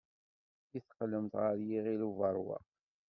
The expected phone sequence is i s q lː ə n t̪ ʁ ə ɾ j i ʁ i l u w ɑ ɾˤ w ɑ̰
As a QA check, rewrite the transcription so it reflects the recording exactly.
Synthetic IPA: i θ q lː ə m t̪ ʁ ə ɾ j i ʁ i l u v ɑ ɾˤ w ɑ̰